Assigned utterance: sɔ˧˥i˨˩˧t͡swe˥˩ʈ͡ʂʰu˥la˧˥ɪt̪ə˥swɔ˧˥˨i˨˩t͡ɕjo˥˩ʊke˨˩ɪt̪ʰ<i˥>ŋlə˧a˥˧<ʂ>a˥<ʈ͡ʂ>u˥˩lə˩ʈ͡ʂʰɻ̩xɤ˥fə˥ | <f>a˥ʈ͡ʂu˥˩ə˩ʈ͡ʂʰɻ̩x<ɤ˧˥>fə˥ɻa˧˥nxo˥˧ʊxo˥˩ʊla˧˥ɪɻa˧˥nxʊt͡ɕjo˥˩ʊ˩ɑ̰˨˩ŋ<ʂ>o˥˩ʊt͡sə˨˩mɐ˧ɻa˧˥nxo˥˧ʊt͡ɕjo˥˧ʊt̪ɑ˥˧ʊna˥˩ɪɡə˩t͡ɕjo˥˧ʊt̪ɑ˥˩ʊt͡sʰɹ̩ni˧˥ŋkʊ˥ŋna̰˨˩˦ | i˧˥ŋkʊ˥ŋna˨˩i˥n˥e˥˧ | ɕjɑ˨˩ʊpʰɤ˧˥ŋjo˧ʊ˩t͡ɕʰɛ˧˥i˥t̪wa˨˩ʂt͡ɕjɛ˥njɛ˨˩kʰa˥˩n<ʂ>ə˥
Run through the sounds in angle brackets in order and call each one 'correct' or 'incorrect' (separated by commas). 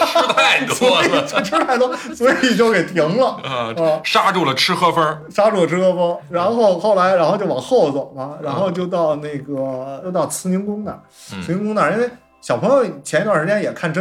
incorrect, correct, correct, incorrect, incorrect, incorrect, incorrect